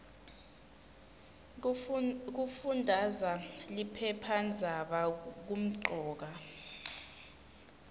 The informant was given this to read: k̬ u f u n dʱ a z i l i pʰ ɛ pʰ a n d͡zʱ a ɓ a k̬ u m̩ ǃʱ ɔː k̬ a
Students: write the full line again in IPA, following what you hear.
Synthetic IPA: k̬ u f u n dʱ a z a l i pʰ ɛ pʰ a n d͡zʱ a ɓ a k̬ u m̩ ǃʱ ɔː k̬ a